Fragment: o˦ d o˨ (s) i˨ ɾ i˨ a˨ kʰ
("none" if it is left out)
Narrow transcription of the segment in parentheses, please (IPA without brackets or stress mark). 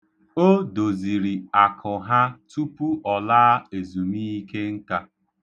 z